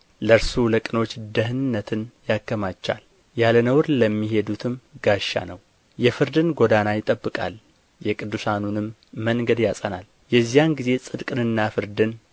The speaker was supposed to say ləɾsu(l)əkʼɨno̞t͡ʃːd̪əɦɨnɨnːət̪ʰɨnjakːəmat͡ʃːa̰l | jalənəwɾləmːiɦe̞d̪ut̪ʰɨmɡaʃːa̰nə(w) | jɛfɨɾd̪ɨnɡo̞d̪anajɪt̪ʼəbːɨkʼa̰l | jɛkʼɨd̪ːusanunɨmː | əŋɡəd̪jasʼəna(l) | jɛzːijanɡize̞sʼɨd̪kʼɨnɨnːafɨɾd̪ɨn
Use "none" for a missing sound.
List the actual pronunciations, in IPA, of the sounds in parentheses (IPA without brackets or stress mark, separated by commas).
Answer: l, w, l